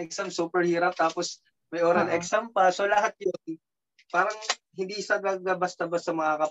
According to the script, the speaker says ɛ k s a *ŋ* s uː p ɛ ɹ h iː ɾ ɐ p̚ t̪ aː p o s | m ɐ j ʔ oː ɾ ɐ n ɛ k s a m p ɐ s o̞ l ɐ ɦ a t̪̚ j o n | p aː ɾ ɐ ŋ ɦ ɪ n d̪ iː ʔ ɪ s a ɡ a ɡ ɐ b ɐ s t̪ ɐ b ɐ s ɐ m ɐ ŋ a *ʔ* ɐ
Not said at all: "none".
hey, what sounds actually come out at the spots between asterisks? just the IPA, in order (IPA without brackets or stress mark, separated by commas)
m, k